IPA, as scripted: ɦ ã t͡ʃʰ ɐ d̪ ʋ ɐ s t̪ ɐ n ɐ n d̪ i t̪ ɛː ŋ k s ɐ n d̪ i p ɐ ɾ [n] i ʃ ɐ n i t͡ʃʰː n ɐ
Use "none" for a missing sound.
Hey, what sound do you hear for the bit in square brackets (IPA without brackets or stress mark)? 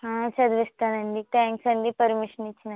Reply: m